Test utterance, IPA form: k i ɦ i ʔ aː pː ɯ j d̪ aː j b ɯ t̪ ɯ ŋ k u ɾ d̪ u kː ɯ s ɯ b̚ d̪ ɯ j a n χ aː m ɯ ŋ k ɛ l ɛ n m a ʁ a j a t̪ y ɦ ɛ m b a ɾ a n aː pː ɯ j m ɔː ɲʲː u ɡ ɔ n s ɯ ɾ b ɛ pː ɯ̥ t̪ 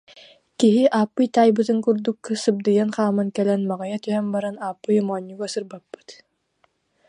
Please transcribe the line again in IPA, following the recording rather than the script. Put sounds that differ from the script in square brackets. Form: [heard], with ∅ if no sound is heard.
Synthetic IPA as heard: k i ɦ i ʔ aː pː ɯ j [t̪] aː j b ɯ t̪ ɯ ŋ k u ɾ d̪ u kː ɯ s ɯ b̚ d̪ ɯ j a n χ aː m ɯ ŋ k ɛ l ɛ n m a ʁ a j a t̪ y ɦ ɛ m b a ɾ a n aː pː ɯ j m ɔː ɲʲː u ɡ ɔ [∅] s ɯ ɾ b [a] pː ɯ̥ t̪